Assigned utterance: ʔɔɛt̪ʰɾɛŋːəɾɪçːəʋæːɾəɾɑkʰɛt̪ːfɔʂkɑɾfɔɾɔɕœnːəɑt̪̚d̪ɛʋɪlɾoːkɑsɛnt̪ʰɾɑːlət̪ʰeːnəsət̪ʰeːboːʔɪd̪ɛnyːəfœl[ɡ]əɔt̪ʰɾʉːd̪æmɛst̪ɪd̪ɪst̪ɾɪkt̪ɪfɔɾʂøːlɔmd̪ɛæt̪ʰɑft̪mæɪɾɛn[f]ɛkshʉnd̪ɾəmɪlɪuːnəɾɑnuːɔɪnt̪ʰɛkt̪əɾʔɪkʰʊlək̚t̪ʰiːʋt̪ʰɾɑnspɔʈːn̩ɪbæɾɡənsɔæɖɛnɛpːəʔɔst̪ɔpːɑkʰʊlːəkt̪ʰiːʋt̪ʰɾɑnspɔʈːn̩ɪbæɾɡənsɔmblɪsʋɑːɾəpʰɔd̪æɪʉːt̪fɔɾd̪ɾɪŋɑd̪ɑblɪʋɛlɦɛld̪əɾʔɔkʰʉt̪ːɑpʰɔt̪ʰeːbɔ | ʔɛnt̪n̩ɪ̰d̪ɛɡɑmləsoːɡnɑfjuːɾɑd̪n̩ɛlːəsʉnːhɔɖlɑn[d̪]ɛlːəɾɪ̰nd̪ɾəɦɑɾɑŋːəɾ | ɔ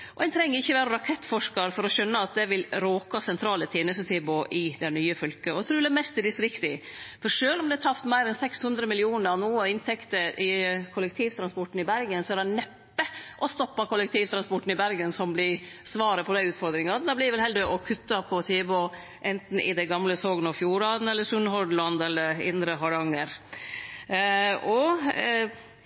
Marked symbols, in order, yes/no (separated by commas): no, no, yes